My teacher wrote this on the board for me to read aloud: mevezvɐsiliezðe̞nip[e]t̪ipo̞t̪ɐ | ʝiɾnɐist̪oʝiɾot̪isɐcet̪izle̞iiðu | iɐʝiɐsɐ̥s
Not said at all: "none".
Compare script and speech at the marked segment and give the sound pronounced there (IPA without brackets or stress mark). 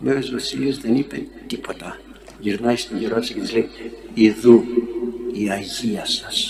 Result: e